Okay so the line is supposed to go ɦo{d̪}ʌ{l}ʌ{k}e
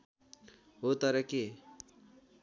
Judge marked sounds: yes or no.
no, no, yes

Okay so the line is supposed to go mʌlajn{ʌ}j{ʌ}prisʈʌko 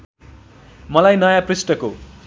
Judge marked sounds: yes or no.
yes, no

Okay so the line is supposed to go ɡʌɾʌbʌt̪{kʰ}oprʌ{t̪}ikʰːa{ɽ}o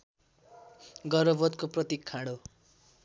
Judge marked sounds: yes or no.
no, yes, yes

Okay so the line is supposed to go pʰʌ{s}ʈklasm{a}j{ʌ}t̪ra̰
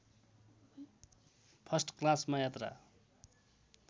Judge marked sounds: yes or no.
yes, yes, no

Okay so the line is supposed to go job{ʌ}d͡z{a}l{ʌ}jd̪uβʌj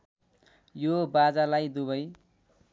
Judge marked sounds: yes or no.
no, yes, no

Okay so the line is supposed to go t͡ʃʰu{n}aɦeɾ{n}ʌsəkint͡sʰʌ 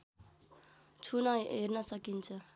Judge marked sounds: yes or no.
yes, yes

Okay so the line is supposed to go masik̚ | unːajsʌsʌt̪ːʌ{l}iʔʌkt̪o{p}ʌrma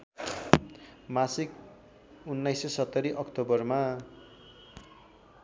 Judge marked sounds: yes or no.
no, no

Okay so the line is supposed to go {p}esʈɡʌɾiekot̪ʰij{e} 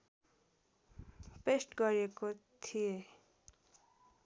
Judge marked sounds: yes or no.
yes, yes

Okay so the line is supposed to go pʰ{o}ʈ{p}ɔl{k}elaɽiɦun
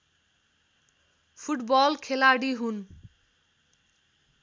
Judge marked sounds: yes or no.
no, no, no

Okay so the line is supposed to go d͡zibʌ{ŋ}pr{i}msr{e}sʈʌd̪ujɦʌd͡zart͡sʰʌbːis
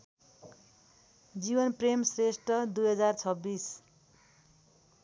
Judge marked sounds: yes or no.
no, no, yes

